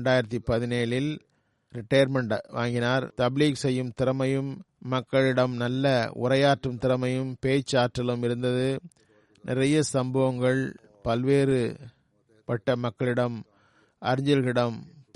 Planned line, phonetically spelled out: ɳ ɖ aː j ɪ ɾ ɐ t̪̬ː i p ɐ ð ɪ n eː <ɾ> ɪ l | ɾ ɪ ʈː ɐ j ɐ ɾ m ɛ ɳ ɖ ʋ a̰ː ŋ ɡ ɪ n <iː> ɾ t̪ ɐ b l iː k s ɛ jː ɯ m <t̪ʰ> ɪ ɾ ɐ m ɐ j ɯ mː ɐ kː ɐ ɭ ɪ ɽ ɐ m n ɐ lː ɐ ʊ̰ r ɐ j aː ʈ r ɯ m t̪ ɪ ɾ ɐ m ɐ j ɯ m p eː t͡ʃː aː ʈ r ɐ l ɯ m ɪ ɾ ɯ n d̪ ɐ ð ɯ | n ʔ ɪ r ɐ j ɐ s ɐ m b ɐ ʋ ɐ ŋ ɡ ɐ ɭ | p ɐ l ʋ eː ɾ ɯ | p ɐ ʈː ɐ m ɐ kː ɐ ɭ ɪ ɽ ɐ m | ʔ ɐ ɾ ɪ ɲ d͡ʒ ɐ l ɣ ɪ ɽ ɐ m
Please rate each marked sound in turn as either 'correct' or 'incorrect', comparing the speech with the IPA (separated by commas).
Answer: incorrect, incorrect, incorrect